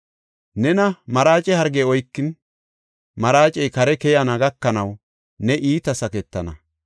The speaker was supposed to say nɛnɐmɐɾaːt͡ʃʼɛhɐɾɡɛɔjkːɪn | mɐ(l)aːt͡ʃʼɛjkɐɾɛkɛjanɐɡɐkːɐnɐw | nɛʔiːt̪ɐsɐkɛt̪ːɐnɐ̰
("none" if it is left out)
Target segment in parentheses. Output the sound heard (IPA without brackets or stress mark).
ɾ